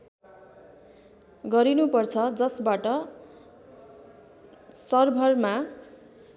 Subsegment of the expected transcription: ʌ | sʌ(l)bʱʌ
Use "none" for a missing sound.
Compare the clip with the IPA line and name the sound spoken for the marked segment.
r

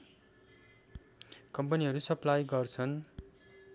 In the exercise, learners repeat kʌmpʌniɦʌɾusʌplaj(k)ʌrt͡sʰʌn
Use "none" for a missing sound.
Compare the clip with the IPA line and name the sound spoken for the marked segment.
ɡ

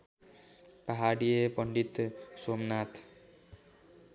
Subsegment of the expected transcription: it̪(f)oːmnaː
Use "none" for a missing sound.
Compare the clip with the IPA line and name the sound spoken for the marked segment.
s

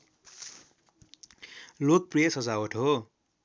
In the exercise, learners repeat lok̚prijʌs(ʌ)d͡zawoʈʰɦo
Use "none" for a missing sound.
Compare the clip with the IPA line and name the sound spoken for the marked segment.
ʌ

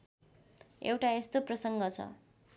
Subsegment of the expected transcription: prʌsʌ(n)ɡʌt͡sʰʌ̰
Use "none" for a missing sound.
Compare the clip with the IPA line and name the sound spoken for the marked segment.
ŋ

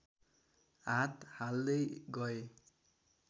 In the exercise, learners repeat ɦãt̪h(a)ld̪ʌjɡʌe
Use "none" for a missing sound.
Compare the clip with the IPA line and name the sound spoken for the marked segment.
a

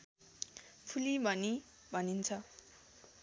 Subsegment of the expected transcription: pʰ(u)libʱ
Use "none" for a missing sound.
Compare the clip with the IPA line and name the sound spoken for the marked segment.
u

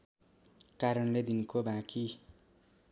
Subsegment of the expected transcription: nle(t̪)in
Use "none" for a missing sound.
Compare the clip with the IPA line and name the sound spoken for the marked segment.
d̪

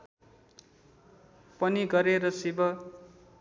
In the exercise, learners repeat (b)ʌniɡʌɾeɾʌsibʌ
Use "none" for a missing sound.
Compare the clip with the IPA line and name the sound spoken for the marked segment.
p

